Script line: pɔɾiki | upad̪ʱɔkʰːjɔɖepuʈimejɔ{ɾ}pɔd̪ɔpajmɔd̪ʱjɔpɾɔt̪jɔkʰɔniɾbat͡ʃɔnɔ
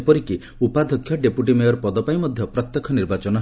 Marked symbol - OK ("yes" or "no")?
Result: yes